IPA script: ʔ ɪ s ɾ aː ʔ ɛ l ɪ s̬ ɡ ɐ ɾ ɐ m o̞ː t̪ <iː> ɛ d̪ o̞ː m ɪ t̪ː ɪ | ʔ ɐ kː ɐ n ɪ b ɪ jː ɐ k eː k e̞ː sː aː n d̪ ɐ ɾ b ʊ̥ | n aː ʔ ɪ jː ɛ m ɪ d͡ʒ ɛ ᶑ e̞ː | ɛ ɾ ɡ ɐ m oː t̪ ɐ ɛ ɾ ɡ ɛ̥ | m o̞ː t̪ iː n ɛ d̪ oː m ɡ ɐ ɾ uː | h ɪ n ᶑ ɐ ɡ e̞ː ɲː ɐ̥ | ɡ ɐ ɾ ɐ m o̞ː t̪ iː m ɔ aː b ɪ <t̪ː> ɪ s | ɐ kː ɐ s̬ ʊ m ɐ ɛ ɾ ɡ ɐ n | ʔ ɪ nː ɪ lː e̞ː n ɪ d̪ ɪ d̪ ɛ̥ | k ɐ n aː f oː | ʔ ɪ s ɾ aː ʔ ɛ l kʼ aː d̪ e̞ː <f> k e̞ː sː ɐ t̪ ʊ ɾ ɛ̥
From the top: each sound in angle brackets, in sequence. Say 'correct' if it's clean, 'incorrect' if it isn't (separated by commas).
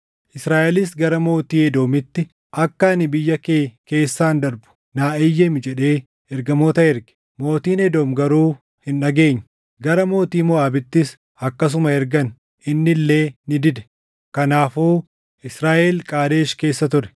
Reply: correct, correct, incorrect